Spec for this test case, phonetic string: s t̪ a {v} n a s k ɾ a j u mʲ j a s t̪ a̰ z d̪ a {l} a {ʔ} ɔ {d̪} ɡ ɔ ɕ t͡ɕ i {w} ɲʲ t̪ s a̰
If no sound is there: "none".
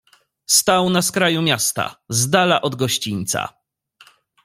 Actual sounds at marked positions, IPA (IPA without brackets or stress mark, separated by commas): w, l, ʔ, d̪, none